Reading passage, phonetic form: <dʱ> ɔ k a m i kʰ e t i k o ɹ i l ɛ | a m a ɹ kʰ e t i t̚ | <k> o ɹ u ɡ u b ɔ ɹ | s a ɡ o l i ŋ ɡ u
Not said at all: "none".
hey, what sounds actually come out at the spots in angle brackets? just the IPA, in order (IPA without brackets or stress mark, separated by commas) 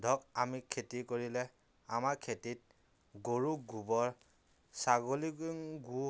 dʱ, ɡ